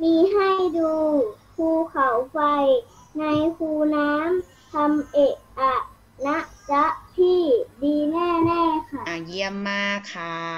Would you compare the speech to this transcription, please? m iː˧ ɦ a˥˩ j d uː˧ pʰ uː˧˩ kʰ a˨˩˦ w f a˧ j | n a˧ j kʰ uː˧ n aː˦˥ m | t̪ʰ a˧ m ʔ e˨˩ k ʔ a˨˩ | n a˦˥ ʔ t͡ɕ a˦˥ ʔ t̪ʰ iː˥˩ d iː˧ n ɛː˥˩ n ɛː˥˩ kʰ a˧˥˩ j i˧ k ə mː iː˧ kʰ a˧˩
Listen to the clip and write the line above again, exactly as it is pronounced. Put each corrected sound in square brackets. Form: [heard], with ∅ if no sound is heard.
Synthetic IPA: m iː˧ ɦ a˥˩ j d uː˧ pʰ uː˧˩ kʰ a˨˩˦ w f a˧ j | n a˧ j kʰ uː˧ n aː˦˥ m | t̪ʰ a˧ m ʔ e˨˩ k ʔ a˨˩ | n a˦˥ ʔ t͡ɕ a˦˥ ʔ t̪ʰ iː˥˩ d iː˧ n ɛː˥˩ n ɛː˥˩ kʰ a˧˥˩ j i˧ [∅] ə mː [aː˧] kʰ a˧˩